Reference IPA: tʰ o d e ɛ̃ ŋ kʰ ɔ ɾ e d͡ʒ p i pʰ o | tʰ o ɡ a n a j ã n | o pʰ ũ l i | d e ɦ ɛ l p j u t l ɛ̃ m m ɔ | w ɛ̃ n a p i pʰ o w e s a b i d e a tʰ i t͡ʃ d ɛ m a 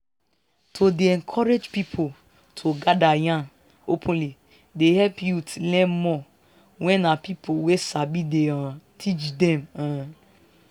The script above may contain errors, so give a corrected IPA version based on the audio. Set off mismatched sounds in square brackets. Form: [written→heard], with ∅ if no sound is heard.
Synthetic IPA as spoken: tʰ o d e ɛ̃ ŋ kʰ ɔ ɾ e d͡ʒ p i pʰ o | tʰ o ɡ a [n→d] a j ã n | o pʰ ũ l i | d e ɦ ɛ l p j u t l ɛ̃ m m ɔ | w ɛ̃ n a p i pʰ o w e s a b i d e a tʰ i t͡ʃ d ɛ m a